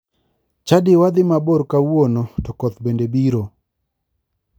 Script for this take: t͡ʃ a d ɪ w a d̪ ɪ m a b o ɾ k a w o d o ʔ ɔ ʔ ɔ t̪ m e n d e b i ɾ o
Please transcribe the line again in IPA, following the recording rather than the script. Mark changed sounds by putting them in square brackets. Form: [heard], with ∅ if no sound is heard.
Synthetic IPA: t͡ʃ a d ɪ w a d̪ ɪ m a b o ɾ k a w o [n] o [t] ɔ [k] ɔ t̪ [b] e n d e b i ɾ o